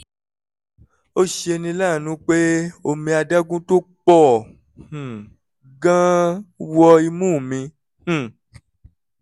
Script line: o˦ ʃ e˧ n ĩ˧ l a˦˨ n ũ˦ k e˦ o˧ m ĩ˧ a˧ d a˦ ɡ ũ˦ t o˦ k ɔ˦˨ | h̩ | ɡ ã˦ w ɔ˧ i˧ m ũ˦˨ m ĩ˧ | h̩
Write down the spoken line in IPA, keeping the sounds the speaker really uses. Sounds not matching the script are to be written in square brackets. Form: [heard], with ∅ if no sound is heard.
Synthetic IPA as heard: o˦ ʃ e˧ n ĩ˧ l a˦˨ n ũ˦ [k͡p] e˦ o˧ m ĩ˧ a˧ d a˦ ɡ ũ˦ t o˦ [k͡p] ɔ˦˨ | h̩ | ɡ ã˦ w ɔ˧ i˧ m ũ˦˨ m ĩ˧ | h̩